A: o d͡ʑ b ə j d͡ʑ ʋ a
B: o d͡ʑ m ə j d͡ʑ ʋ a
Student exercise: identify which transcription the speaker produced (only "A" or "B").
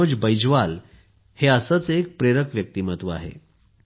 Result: A